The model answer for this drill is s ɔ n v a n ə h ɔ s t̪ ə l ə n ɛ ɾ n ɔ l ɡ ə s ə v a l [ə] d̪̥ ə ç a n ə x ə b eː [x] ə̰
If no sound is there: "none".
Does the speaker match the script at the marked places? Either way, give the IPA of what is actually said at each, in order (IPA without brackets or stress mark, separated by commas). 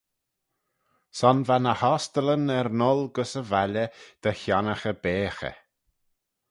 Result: ə, x